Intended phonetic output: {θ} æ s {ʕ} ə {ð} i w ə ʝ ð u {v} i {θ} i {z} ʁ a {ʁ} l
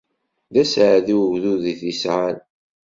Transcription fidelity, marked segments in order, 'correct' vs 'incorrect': incorrect: ð, correct, correct, incorrect: ð, correct, incorrect: s, incorrect: none

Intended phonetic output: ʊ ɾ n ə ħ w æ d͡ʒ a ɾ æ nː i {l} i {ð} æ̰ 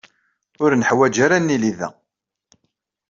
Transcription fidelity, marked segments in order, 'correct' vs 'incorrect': correct, correct

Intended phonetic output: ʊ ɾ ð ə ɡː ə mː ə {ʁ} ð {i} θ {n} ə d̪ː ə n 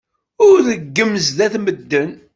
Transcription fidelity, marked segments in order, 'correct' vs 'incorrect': incorrect: z, incorrect: æ, incorrect: m

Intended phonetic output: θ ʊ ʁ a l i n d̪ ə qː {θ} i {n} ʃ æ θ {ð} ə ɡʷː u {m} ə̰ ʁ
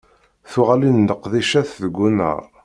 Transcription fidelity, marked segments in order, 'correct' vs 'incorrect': incorrect: ð, incorrect: none, correct, incorrect: n

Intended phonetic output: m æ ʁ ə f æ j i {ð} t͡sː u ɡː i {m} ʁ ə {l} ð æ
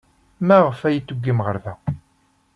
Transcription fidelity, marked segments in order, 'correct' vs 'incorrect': incorrect: none, correct, incorrect: ɾ

